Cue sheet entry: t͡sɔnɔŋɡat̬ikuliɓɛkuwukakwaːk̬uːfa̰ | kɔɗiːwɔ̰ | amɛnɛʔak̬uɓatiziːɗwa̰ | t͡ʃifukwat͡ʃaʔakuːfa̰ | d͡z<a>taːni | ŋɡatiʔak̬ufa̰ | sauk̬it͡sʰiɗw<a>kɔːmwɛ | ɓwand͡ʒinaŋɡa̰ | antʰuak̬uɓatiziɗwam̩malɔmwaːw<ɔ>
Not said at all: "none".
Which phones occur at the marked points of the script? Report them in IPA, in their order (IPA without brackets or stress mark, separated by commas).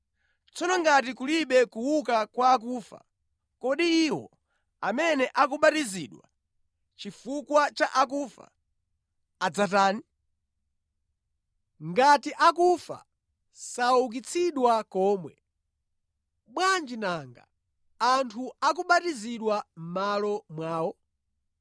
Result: a, a, ɔ